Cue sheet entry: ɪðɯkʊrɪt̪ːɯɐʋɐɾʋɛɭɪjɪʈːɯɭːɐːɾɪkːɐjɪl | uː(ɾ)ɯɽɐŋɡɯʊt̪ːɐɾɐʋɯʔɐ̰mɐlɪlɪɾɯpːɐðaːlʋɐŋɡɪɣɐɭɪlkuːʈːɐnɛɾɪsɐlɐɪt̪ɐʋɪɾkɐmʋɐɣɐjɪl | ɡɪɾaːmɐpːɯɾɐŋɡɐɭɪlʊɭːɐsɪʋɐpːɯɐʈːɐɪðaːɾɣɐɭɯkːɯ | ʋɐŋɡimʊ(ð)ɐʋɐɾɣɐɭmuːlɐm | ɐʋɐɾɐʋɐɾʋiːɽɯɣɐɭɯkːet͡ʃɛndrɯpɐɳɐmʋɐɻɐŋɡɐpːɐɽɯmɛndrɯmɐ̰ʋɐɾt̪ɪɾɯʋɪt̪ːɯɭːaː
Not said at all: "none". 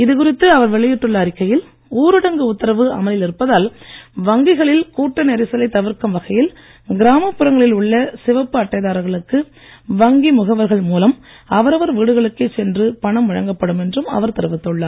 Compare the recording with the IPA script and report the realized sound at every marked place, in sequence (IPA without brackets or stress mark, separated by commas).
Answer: ɾ, ɣ